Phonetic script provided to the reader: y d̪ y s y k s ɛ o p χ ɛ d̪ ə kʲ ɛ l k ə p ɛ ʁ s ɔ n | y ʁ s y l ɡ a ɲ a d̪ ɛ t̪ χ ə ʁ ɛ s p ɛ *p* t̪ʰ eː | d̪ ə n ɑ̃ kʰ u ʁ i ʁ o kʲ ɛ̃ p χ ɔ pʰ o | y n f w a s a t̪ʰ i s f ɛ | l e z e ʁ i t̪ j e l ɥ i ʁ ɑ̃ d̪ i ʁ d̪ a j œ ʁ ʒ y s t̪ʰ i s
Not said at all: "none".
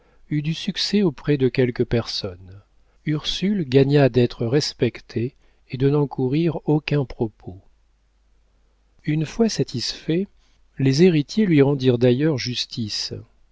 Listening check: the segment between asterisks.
k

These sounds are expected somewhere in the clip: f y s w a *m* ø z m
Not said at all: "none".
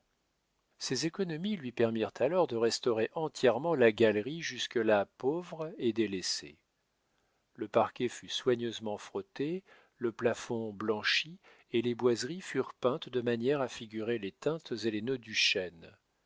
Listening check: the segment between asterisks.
ɲ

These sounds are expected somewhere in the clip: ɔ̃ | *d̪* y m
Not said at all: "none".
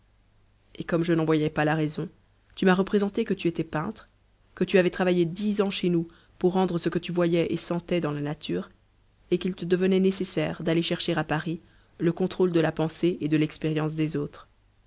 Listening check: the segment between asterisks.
t̪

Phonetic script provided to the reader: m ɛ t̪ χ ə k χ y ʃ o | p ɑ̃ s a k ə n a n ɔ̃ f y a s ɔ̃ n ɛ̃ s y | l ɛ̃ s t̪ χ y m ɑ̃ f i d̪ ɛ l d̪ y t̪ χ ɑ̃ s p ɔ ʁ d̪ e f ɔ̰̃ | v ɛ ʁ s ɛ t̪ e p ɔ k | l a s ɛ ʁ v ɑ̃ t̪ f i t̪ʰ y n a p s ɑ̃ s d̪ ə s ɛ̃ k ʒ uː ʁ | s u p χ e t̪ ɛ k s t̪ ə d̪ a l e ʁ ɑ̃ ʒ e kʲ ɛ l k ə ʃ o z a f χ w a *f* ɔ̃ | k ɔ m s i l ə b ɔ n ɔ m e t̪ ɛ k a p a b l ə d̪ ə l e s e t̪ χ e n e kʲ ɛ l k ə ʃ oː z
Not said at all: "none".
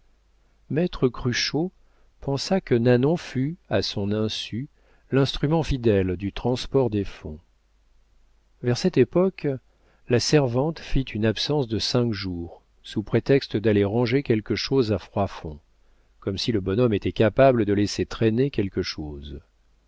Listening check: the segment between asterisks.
f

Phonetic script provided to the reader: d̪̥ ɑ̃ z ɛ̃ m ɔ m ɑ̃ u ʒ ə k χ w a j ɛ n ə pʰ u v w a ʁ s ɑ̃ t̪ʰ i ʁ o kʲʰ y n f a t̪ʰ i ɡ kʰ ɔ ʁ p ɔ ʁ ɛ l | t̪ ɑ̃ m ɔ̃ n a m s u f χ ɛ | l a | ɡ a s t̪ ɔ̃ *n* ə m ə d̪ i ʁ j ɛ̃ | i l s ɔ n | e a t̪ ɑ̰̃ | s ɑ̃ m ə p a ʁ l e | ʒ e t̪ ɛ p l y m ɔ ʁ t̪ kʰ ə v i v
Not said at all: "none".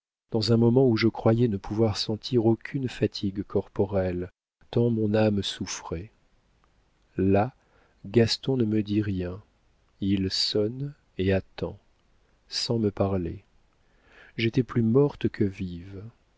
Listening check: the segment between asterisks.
n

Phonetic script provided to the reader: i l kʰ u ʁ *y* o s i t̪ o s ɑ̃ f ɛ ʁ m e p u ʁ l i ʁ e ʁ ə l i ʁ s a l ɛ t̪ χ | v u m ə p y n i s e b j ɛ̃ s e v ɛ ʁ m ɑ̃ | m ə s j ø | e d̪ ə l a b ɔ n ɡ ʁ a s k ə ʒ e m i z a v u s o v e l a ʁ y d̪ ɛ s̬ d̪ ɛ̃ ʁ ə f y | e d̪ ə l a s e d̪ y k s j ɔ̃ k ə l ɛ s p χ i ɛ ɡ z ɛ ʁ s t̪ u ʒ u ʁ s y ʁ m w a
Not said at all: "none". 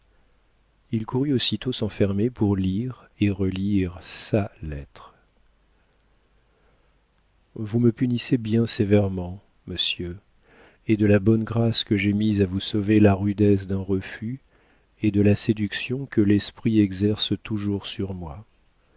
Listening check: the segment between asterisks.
y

